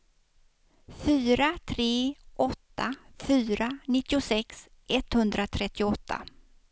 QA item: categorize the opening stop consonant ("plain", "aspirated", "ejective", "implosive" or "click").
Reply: aspirated